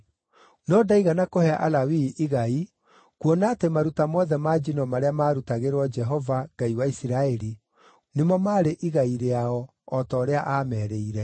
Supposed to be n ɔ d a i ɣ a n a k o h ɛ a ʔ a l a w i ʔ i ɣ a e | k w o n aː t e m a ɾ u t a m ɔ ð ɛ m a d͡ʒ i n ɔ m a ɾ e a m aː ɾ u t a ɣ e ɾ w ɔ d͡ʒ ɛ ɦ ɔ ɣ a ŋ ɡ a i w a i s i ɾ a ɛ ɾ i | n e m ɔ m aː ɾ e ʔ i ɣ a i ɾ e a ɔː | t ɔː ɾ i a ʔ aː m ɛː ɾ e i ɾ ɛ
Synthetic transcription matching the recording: n ɔ d a i ɣ a n a k o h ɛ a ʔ a l a w i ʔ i ɣ a i | k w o n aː t e m a ɾ u t a m ɔ ð ɛ m a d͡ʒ i n ɔ m a ɾ e a m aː ɾ u t a ɣ e ɾ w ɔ d͡ʒ ɛ ɦ ɔ v a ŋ ɡ a i w a i s i ɾ a ɛ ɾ i | n e m ɔ m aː ɾ e ʔ i ɣ a i ɾ e a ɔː | t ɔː ɾ e a ʔ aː m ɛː ɾ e i ɾ ɛ